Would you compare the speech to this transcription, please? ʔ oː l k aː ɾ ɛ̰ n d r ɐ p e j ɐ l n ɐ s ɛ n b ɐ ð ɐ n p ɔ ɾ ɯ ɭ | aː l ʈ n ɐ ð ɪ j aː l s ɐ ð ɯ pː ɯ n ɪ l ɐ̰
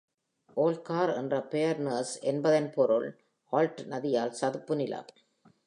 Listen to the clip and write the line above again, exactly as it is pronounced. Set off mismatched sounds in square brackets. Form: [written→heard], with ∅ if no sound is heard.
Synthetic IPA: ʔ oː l k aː ɾ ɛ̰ n d r ɐ p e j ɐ [l→ɾ] n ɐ s ɛ n b ɐ ð ɐ n p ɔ ɾ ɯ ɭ | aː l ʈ n ɐ ð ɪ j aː l s ɐ ð ɯ pː ɯ n ɪ l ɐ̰